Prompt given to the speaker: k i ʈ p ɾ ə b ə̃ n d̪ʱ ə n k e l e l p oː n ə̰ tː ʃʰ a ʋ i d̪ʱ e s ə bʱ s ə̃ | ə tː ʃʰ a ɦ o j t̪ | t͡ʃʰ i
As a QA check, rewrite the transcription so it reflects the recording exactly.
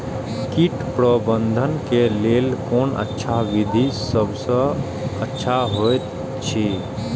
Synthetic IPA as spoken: k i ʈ p ɾ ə b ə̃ n d̪ʱ ə n k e l e l k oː n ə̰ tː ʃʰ a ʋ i d̪ʱ i s ə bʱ s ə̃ | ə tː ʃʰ a ɦ o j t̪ | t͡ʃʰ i